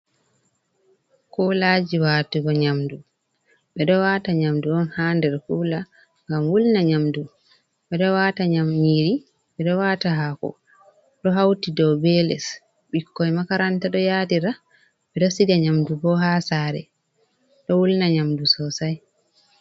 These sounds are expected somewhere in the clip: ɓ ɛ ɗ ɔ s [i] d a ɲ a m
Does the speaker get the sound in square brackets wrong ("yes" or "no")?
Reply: no